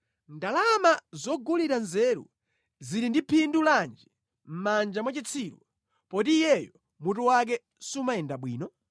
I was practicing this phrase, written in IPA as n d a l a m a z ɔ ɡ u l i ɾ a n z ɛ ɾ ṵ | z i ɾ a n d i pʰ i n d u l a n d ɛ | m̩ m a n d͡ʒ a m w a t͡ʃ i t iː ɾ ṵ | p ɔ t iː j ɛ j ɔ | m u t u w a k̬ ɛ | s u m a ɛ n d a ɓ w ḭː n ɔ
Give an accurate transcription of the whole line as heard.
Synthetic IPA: n d a l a m a z ɔ ɡ u l i ɾ a n z ɛ ɾ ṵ | z i ɾ i n d i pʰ i n d u l a n d͡ʒ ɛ | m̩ m a n d͡ʒ a m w a t͡ʃ i t͡sʰ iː ɾ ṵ | p ɔ t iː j ɛ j ɔ | m u t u w a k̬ ɛ | s u m a ɛ n d a ɓ w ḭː n ɔ